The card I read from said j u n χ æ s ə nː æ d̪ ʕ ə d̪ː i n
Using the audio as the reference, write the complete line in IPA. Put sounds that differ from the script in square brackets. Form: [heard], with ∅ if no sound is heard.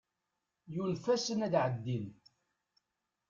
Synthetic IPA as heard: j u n [f] æ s ə [n] æ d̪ ʕ ə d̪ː i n